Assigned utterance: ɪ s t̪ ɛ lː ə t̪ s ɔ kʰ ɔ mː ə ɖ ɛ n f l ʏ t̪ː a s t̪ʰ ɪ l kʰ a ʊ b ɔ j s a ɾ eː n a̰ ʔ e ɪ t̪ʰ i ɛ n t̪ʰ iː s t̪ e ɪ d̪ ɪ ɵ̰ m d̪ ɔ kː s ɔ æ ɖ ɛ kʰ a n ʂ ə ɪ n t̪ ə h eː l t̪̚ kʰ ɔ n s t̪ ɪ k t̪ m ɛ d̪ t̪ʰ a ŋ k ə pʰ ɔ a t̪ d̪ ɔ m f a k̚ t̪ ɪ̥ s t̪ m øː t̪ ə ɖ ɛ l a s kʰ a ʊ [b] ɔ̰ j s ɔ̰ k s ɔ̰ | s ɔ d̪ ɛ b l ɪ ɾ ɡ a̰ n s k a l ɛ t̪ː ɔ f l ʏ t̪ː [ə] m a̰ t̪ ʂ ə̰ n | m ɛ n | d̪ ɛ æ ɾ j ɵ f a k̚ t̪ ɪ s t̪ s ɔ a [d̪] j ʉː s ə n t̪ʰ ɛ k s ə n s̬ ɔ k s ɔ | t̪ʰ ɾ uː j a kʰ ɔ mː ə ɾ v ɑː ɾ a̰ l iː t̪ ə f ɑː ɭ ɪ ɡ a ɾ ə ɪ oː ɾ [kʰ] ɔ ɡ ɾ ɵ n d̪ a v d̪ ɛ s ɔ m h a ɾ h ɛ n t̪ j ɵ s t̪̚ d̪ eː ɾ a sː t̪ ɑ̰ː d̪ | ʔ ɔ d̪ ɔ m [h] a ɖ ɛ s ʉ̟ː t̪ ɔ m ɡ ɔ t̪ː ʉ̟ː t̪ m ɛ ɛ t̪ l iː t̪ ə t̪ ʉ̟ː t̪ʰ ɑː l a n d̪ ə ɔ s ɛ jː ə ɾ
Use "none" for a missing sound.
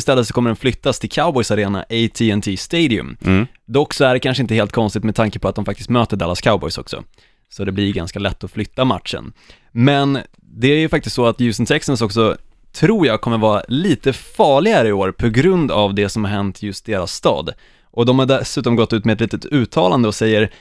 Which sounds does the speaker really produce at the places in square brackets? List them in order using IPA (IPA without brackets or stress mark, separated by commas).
b, a, t̪, pʰ, h